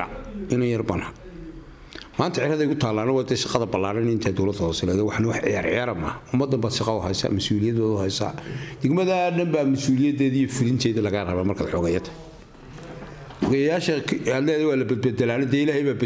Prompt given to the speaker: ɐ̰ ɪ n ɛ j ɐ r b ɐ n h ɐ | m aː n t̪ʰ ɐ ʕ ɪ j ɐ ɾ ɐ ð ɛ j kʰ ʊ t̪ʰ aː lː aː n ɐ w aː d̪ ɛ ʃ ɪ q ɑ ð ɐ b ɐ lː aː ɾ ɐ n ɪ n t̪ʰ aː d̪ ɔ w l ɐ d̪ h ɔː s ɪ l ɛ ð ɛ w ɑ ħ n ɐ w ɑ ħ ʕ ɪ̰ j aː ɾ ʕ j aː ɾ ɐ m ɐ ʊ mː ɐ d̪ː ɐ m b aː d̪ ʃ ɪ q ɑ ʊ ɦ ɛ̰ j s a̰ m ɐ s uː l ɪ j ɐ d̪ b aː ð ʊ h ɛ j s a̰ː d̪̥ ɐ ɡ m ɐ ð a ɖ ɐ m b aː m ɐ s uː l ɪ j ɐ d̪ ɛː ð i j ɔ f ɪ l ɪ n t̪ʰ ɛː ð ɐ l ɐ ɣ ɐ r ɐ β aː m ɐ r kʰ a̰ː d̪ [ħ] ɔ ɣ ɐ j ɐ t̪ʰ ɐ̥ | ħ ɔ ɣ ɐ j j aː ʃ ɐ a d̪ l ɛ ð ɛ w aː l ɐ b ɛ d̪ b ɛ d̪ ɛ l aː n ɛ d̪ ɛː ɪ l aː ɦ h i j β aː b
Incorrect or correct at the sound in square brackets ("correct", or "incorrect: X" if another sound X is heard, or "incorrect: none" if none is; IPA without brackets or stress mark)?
correct